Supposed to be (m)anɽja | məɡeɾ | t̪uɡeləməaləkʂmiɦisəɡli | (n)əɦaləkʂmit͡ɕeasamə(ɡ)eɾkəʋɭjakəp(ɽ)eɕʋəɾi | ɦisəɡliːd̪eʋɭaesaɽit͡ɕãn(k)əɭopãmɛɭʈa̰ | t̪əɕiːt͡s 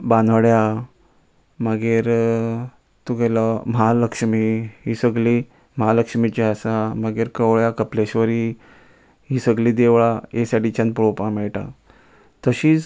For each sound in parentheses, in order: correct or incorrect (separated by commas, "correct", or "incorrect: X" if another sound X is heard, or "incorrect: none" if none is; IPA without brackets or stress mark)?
incorrect: b, incorrect: m, correct, incorrect: l, incorrect: p